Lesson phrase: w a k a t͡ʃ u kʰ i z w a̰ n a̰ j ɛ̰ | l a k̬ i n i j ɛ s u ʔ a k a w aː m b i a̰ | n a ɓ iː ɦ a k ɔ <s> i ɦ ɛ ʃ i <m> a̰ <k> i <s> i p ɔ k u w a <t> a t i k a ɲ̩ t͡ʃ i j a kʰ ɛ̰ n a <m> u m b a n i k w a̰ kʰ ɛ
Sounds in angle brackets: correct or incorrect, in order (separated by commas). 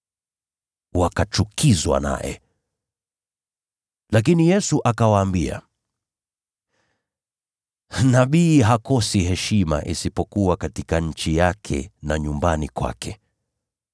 correct, correct, incorrect, correct, incorrect, incorrect